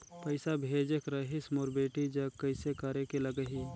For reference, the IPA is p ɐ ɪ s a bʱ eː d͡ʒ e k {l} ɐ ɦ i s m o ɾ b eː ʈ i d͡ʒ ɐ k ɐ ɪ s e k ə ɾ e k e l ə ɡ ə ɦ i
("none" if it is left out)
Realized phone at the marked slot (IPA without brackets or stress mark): ɾ